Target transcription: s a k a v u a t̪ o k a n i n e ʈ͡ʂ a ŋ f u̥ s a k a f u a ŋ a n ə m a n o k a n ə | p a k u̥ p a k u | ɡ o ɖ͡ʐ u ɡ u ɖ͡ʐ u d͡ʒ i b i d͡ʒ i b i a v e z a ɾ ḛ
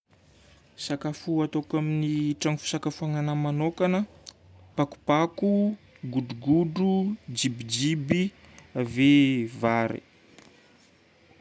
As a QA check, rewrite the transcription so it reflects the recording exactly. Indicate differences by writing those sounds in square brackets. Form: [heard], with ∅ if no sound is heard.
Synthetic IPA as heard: s a k a [f] u a t̪ o k a [m] i n [i] ʈ͡ʂ a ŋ f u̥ s a k a f u a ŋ a n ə m a n o k a n ə | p a k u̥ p a k u | ɡ [u] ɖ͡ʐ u ɡ u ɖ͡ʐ u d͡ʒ i b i d͡ʒ i b i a v e [v] a ɾ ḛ